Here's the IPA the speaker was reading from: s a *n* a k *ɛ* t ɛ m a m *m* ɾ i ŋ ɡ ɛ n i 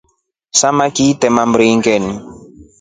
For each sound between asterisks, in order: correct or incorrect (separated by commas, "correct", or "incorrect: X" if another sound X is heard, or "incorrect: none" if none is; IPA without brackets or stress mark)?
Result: incorrect: m, incorrect: i, incorrect: b